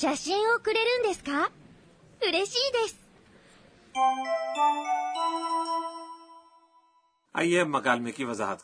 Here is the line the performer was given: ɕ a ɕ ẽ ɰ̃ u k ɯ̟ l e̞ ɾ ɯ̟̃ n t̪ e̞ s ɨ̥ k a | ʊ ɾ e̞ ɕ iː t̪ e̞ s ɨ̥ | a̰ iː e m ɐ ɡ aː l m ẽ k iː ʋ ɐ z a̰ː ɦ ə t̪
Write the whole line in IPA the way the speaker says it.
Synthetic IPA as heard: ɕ a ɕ ĩ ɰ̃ o k ɯ̟ ɾ e̞ ɾ ɯ̟̃ n d̪ e̞ s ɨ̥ k a | ɯ ɾ e̞ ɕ iː d̪ e̞ s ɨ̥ | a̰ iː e m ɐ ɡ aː l m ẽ k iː ʋ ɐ z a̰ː ɦ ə t̪